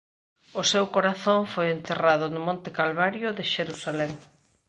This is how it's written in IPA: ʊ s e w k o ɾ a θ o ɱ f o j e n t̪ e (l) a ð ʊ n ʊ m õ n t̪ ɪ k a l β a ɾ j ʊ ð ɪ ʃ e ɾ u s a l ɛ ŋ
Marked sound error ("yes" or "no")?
yes